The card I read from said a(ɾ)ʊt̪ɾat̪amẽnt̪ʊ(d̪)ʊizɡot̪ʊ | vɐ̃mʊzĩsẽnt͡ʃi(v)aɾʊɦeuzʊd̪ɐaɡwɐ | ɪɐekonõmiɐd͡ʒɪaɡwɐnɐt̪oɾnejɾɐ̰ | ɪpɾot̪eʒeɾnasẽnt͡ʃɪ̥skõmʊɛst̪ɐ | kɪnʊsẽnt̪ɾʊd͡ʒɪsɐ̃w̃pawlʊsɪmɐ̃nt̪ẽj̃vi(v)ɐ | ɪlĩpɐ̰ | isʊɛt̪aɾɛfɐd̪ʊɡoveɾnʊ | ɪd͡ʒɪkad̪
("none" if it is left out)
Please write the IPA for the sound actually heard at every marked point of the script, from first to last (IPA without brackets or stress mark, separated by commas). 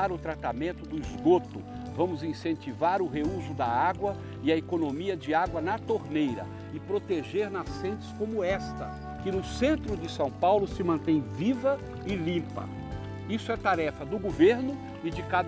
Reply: ɾ, d̪, v, v